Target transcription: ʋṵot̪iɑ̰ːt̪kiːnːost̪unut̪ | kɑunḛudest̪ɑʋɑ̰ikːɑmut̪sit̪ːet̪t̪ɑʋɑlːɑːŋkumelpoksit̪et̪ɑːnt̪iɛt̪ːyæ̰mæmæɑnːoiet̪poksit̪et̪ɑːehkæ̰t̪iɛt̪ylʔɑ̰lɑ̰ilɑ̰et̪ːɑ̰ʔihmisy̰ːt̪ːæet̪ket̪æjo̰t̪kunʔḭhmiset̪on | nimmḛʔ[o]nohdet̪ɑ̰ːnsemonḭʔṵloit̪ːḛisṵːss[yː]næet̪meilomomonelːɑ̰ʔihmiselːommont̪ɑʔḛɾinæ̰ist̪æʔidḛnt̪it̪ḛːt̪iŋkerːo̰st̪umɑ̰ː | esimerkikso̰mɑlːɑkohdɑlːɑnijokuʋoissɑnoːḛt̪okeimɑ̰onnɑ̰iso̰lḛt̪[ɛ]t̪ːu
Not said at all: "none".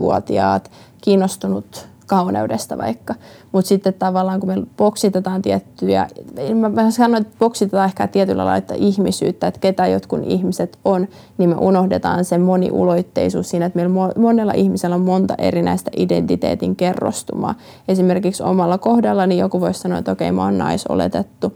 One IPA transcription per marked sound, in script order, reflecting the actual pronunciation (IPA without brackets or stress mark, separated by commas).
u, iː, e